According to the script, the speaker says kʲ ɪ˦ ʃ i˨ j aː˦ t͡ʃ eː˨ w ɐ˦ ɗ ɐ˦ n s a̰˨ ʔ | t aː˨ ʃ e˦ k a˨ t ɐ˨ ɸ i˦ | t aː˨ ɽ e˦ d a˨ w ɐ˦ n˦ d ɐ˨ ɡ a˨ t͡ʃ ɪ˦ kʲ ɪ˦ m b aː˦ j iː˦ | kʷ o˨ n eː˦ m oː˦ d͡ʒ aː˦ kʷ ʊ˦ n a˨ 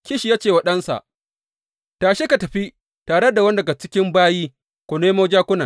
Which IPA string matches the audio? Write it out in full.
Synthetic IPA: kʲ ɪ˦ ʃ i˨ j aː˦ t͡ʃ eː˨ w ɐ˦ ɗ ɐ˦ n s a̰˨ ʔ | t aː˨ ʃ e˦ k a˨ t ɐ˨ ɸ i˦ | t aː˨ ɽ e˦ d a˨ w ɐ˦ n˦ d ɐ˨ ɡ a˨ t͡ʃ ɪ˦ kʲ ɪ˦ m b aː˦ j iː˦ | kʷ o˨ n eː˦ m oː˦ d͡ʒ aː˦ kʷ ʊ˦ n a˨